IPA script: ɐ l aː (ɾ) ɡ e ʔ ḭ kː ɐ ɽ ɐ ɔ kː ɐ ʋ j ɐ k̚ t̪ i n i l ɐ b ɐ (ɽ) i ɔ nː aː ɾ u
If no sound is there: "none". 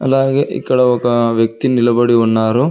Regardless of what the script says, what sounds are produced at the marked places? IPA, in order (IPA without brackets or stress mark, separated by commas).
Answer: none, ɽ